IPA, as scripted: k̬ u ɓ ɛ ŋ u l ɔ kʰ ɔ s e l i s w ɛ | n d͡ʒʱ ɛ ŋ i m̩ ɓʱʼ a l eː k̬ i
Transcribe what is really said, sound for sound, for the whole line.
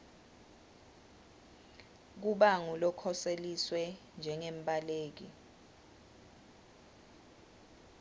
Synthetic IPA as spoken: k̬ u ɓ a ŋ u l ɔ kʰ ɔ s e l i s w ɛ | n d͡ʒʱ ɛ ŋ e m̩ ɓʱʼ a l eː k̬ i